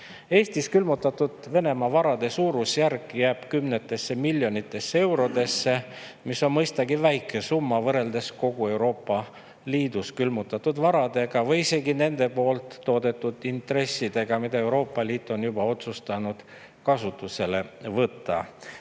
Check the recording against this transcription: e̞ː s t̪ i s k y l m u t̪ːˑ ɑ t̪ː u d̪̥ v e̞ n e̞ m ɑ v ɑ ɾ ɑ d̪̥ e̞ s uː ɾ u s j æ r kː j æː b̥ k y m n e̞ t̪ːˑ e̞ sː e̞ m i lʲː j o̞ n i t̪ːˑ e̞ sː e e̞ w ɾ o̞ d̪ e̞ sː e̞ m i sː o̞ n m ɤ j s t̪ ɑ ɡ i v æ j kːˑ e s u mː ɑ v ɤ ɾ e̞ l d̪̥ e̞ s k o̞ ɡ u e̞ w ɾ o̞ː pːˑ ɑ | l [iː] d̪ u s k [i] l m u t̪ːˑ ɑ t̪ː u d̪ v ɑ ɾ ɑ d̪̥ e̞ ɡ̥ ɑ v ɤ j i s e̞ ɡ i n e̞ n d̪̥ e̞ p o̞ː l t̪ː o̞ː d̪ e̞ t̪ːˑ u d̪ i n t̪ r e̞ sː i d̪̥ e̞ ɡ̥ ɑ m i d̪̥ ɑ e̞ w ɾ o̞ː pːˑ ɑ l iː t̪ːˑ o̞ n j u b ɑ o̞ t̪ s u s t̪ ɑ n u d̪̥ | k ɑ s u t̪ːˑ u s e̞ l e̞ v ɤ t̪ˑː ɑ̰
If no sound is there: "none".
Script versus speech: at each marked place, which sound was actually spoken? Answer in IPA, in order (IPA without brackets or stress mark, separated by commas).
iː, y